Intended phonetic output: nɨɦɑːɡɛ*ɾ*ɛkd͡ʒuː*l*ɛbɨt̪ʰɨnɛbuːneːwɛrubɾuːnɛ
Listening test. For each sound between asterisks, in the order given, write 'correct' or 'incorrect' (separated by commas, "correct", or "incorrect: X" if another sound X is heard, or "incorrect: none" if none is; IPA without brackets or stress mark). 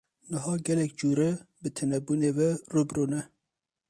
incorrect: l, incorrect: ɾ